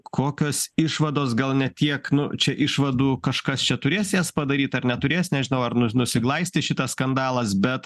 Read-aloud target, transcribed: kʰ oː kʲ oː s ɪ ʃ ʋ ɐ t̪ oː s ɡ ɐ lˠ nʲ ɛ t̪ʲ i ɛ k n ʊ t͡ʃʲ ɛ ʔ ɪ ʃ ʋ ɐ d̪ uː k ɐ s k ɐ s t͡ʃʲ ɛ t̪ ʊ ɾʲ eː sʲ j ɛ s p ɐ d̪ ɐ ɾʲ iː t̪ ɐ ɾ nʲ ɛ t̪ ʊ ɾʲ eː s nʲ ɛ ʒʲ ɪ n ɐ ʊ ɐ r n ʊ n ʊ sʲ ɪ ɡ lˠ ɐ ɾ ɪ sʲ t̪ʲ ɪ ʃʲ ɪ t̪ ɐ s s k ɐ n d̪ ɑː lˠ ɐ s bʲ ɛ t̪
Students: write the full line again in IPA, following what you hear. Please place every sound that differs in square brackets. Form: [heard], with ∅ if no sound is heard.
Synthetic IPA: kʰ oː kʲ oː s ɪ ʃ ʋ ɐ [d̪] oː s ɡ ɐ lˠ nʲ ɛ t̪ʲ i ɛ k n ʊ t͡ʃʲ ɛ ʔ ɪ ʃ ʋ ɐ d̪ uː k ɐ [ʃ] k ɐ s t͡ʃʲ ɛ t̪ ʊ ɾʲ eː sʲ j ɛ s p ɐ d̪ ɐ ɾʲ iː t̪ ɐ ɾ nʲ ɛ t̪ ʊ ɾʲ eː s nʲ ɛ ʒʲ ɪ n ɐ ʊ ɐ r n ʊ n ʊ sʲ ɪ ɡ lˠ ɐ [∅] ɪ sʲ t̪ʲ ɪ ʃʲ ɪ t̪ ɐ s s k ɐ n d̪ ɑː lˠ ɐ s bʲ ɛ t̪